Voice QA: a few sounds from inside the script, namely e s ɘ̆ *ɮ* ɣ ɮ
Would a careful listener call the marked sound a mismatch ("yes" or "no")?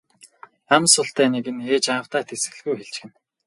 yes